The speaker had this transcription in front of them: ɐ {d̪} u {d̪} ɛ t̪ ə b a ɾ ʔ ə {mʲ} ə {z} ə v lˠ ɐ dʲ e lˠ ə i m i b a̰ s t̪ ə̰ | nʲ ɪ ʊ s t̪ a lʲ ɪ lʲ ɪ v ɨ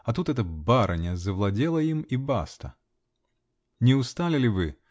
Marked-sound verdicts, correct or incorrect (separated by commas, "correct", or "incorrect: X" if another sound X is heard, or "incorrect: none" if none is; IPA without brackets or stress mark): incorrect: t̪, incorrect: t̪, incorrect: nʲ, correct